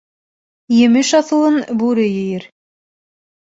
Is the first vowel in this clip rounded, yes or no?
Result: no